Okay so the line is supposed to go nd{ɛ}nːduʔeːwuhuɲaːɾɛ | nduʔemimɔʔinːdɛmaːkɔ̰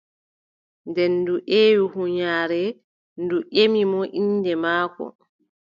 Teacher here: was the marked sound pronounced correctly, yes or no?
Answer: yes